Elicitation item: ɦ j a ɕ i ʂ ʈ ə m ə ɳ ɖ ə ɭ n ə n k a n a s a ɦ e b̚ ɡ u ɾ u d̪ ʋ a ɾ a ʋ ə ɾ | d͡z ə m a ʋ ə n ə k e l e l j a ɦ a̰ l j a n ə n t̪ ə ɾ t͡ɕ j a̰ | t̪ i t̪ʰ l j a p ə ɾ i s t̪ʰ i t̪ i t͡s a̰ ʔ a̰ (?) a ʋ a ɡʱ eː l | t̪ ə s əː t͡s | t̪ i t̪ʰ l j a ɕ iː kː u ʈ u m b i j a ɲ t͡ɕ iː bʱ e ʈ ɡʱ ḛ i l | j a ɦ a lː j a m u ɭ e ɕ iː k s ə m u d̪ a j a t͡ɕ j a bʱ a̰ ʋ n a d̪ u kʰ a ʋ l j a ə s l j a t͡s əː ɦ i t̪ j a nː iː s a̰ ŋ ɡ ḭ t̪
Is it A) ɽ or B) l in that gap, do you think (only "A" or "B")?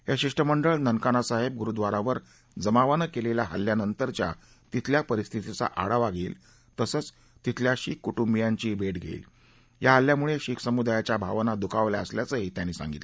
A